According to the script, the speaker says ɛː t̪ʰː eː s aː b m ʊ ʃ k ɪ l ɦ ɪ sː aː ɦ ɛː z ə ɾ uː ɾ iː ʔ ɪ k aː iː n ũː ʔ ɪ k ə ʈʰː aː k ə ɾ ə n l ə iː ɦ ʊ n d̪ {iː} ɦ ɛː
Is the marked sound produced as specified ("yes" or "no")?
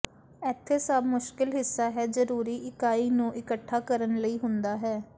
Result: no